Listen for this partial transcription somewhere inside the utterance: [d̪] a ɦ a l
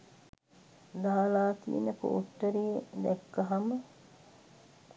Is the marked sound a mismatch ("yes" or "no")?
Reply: no